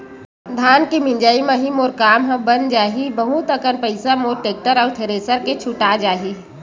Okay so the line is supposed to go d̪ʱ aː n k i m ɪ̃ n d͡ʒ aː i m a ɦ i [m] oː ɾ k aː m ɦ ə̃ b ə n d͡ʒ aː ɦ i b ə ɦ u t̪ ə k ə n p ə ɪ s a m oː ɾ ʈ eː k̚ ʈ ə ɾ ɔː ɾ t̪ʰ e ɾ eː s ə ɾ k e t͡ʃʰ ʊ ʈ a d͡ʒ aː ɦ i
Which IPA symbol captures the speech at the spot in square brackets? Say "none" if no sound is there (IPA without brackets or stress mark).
m